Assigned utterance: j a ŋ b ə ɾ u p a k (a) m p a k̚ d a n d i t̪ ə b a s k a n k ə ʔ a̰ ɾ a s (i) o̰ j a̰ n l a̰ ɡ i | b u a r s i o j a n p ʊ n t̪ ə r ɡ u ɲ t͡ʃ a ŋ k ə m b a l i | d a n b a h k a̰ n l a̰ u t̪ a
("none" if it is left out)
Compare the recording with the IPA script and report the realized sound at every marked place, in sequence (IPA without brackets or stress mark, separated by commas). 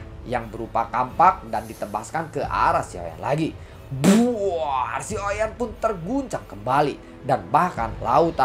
a, i